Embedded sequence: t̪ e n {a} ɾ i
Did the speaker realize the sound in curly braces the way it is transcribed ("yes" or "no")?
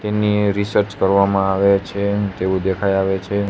no